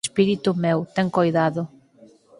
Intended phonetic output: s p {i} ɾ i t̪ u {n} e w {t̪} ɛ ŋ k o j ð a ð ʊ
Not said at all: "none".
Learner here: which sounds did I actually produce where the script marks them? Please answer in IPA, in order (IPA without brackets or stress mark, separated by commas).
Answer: i, m, t̪